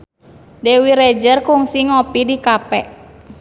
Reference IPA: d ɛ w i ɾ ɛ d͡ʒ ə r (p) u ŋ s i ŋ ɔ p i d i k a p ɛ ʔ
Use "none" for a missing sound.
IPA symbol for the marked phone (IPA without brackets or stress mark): k